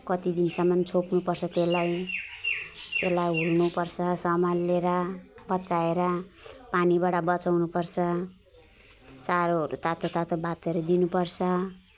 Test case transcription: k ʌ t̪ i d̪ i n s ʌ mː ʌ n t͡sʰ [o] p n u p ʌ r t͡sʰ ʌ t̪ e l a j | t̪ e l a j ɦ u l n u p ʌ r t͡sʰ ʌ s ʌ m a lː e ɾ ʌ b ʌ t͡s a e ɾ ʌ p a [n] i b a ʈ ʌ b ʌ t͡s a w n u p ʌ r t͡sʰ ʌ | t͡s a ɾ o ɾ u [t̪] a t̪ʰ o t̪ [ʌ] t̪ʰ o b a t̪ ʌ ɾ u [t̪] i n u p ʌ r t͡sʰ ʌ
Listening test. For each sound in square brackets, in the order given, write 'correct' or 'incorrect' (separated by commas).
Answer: correct, correct, correct, incorrect, incorrect